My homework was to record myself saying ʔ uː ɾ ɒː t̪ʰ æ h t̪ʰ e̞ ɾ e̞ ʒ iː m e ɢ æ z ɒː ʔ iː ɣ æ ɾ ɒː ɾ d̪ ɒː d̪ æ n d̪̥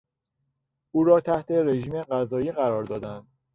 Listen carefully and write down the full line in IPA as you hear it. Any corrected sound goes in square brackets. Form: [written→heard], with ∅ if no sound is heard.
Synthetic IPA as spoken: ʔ uː ɾ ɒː t̪ʰ æ h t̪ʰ e̞ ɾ e̞ ʒ iː m e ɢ æ z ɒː [ʔ→∅] iː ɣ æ ɾ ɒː ɾ d̪ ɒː d̪ æ n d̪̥